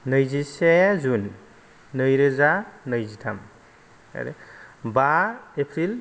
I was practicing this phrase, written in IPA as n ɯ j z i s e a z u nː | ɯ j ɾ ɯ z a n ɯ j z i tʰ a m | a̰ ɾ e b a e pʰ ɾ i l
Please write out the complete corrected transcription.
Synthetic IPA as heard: n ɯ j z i s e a z u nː | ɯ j ɾ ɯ z a n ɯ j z i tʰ a m | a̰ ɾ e b a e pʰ ɾ i l